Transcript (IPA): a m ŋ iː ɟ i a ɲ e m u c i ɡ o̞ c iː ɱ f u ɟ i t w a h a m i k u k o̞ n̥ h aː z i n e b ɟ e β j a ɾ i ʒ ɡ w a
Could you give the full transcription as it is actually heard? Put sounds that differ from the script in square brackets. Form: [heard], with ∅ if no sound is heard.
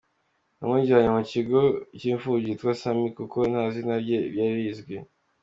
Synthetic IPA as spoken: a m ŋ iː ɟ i a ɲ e m u c i ɡ o̞ c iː ɱ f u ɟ i t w a [s] a m i k u k o̞ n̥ h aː z i n [a] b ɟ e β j a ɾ i [z] ɡ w [e]